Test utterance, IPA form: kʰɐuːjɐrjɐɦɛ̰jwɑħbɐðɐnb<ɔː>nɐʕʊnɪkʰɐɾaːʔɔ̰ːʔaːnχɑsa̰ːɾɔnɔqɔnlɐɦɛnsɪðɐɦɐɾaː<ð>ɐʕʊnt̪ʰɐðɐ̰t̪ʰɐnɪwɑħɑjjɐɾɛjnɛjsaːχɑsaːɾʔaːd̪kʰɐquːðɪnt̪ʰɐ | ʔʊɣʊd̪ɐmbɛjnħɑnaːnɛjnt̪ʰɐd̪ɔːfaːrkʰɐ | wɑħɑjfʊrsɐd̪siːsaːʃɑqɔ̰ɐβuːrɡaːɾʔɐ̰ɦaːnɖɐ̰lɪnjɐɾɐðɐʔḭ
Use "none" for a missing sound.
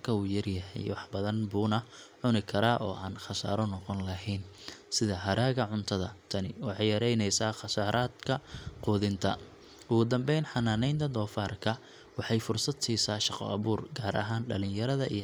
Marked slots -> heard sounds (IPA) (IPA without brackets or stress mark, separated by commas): uː, ɣ